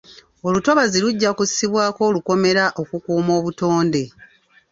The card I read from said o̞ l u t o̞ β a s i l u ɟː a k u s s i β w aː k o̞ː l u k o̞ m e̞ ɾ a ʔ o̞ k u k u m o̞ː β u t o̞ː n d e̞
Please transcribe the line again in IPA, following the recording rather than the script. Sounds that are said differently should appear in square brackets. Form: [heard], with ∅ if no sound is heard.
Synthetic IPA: o̞ l u t o̞ β a [z] i l u ɟː a k u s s i β w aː k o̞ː l u k o̞ m e̞ ɾ a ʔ o̞ k u k [uː] m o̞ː β u t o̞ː n d e̞